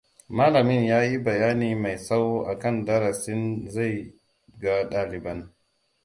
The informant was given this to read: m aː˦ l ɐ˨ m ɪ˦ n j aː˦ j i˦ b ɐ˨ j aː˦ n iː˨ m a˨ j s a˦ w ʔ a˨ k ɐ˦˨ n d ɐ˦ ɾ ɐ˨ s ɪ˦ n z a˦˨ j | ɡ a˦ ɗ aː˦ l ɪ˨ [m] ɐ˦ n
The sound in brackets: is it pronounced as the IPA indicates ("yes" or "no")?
no